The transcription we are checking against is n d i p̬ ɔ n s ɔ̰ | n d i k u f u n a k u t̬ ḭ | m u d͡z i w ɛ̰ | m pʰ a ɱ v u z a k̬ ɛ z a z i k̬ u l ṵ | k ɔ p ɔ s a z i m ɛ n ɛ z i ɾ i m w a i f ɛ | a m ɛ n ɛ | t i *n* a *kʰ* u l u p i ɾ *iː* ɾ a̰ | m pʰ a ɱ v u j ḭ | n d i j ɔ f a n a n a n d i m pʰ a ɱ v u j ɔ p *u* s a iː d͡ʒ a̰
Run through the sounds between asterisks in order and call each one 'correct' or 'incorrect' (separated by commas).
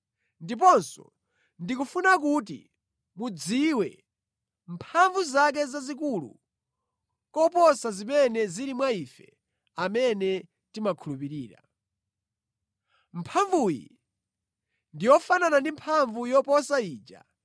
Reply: incorrect, correct, correct, incorrect